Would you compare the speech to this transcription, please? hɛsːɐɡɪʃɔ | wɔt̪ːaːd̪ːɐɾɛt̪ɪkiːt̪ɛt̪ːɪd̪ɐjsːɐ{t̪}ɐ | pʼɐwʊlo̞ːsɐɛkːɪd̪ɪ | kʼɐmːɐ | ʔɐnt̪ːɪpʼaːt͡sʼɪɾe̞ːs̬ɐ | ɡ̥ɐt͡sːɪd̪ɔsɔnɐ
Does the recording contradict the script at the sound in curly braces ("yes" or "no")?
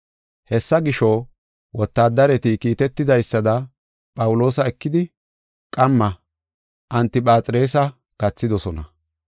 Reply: yes